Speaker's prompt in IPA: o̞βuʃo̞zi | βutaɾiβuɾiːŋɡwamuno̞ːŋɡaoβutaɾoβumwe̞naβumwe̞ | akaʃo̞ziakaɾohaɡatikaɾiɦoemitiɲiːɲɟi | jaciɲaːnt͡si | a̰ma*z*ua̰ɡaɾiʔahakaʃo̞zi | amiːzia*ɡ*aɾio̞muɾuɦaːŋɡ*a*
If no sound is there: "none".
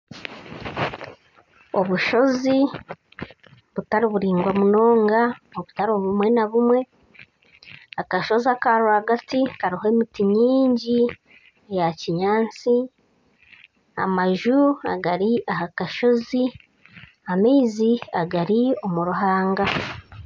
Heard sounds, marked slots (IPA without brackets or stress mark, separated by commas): ʒ, ɡ, a